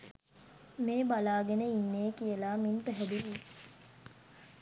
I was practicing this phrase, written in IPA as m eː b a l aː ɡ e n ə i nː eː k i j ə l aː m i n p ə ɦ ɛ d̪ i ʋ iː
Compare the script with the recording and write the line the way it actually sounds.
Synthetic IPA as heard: m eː b a l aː ɡ e n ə i nː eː k i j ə l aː m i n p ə ɦ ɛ d̪ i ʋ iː